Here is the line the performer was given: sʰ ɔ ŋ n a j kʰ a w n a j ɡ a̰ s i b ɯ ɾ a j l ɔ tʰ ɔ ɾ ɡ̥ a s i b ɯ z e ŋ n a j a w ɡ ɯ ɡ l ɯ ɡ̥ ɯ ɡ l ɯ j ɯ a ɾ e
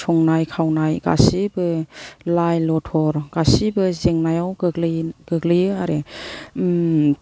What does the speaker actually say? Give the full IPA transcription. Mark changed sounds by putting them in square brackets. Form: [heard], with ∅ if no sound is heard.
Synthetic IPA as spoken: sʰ ɔ ŋ n a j kʰ a w n a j ɡ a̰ s i b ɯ [l] a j l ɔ tʰ ɔ ɾ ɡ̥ a s i b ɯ z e ŋ n a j a w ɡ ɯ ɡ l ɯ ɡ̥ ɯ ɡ l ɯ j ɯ a ɾ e